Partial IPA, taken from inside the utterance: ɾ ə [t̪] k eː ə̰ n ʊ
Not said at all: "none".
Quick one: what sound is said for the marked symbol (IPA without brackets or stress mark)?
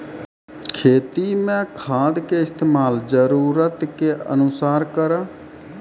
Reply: t̪